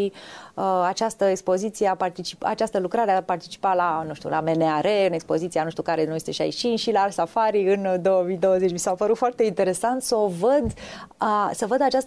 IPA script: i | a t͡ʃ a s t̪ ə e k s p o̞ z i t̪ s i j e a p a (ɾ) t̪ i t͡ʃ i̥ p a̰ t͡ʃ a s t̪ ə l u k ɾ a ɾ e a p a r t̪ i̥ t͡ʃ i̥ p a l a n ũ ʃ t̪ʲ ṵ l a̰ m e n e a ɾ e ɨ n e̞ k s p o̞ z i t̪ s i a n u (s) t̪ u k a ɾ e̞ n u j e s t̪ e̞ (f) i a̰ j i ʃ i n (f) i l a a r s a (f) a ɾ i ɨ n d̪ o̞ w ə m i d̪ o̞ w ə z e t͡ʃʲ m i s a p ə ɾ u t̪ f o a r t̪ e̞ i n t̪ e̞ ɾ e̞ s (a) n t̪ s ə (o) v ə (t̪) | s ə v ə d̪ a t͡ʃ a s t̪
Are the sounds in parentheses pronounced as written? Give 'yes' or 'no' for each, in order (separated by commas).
no, no, no, no, yes, yes, yes, no